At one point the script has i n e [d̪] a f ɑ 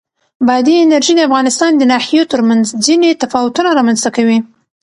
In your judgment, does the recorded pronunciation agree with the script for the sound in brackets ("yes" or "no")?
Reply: no